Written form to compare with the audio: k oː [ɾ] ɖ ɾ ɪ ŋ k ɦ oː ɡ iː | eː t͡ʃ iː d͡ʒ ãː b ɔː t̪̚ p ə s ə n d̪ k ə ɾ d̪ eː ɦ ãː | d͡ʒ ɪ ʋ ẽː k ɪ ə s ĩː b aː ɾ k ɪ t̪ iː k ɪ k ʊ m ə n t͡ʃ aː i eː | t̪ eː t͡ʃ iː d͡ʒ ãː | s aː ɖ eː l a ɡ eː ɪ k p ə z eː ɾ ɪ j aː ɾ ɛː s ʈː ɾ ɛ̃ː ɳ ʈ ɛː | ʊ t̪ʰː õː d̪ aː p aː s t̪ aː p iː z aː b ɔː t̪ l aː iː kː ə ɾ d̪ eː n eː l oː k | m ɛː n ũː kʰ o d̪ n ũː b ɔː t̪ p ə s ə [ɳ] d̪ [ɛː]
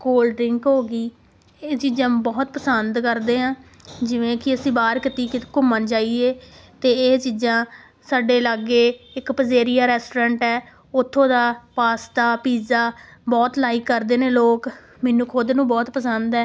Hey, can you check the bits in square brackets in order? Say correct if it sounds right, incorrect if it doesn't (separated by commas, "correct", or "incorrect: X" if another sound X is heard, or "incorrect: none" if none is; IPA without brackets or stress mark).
incorrect: l, incorrect: n, correct